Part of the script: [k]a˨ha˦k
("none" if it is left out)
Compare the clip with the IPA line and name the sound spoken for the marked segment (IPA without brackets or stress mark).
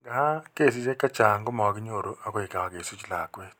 ɡ